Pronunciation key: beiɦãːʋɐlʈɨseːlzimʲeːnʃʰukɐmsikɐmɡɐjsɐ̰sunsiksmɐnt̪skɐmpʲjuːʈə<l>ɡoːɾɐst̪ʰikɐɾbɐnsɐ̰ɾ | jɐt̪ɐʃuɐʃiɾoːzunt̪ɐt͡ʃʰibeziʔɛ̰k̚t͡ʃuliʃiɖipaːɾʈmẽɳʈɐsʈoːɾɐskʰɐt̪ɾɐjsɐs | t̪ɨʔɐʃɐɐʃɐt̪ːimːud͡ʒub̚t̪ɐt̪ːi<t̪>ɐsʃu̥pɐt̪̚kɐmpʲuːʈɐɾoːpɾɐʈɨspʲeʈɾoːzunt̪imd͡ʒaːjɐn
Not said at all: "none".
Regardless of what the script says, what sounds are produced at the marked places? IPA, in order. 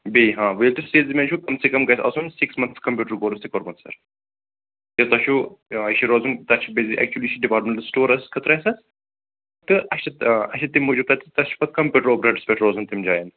ɾ, t̪

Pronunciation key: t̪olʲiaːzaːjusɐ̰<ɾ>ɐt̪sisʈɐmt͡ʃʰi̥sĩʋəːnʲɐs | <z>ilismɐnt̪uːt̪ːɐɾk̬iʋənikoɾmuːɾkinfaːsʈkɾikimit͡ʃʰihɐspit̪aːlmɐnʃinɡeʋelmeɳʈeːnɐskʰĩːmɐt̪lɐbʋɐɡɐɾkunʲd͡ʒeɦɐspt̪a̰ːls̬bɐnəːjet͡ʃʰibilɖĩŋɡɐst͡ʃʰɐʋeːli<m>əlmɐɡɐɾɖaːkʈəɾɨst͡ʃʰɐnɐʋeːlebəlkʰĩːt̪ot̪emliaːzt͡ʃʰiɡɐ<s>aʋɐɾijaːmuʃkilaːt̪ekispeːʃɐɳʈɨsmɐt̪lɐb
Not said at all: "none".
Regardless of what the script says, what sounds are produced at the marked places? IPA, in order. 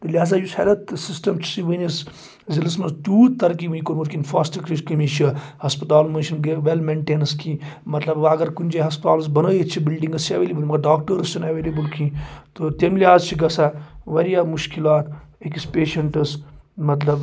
l, z, b, s

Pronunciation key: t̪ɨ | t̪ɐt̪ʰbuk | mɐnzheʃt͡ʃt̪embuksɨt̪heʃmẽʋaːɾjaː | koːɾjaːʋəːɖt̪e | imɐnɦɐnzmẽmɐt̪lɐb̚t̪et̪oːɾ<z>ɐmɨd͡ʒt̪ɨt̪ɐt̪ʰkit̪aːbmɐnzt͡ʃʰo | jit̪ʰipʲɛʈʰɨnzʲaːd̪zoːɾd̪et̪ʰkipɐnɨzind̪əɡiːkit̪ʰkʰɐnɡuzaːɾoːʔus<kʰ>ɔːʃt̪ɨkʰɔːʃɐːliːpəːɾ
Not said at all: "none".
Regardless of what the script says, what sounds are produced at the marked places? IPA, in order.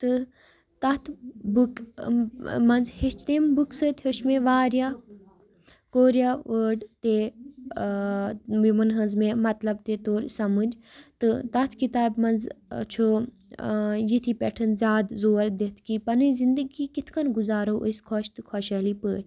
s, kʰ

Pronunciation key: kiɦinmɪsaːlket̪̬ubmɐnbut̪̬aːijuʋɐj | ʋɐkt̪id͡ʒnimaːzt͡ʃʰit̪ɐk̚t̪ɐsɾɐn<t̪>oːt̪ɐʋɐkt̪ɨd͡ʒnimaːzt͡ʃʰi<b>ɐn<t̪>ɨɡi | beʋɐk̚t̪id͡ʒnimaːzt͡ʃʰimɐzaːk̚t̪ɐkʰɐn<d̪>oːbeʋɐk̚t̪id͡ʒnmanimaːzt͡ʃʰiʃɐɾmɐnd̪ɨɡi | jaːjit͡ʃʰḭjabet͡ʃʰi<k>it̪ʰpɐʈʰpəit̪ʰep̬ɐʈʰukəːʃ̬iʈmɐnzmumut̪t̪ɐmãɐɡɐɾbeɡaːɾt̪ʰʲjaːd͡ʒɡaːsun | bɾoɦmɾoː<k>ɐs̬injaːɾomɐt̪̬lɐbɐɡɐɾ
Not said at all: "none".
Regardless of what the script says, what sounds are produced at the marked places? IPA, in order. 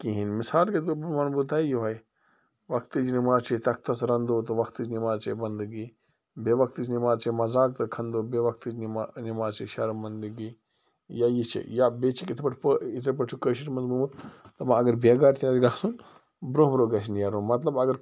d̪, b, d̪, d̪, k, ɡ

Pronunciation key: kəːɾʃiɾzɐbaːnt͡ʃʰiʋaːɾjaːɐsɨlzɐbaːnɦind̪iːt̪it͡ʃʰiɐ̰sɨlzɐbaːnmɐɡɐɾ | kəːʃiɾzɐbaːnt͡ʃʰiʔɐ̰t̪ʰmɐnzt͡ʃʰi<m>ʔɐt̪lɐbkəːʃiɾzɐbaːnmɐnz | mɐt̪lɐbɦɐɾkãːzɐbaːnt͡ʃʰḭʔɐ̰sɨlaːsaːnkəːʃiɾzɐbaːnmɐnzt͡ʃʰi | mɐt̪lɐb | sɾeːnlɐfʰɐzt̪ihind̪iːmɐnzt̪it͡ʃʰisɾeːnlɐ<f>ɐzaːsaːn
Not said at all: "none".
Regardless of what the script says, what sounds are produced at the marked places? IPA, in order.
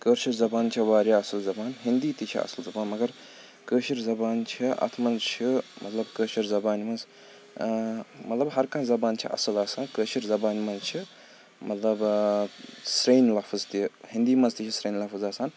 m, f

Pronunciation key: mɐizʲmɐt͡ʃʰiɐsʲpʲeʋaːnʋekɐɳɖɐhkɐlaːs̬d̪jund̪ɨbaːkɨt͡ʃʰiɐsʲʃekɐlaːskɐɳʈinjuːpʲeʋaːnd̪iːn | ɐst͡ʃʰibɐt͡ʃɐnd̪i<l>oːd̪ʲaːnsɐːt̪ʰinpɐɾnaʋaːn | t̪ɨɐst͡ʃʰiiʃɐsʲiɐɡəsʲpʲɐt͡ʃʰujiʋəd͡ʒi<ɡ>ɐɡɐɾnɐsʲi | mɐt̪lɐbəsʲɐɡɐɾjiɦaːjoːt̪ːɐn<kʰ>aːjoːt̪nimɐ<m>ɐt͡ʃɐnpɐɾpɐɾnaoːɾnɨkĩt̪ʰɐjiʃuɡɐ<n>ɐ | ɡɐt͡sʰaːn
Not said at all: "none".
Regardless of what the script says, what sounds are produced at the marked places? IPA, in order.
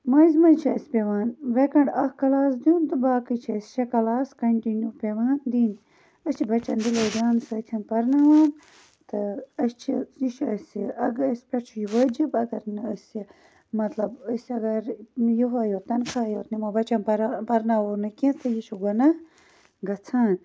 l, b, kʰ, b, n

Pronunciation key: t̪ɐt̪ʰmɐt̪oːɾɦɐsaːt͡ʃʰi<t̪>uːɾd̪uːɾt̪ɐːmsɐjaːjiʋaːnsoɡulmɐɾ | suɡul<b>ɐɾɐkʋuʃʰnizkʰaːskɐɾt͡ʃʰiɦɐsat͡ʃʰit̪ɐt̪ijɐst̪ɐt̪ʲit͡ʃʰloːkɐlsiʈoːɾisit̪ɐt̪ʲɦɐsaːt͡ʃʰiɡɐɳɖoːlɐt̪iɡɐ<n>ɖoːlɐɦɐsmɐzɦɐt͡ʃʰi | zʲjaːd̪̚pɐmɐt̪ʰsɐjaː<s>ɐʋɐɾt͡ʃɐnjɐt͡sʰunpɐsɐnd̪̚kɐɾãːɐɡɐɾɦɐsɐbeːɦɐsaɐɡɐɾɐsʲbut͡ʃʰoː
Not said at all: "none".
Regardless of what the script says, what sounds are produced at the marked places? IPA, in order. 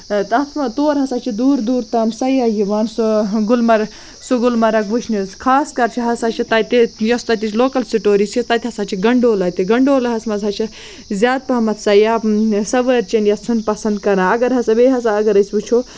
d̪, m, ɳ, s

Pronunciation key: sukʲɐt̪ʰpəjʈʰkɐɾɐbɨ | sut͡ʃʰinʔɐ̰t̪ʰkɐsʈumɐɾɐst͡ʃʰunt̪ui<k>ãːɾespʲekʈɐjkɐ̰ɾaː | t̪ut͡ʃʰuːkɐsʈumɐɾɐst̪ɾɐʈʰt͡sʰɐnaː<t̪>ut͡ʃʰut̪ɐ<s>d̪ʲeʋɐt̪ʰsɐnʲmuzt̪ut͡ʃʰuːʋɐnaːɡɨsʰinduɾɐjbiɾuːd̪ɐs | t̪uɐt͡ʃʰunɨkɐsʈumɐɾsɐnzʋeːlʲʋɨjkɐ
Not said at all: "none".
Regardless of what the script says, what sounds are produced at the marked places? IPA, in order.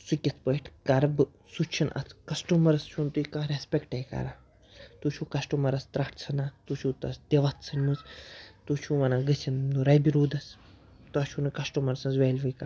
k, t̪, s

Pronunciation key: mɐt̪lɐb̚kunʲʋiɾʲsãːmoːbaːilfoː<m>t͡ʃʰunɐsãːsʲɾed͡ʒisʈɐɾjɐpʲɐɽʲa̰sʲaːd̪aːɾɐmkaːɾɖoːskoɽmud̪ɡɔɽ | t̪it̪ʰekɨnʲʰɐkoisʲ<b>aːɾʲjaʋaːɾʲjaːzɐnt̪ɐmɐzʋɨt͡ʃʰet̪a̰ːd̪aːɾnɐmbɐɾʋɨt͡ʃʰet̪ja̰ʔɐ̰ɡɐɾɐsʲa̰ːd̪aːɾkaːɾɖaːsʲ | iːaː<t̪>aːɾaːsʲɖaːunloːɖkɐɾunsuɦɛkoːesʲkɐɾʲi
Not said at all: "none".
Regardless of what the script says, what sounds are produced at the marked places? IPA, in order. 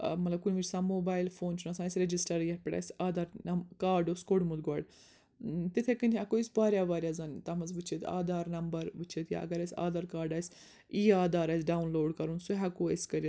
n, b, d̪

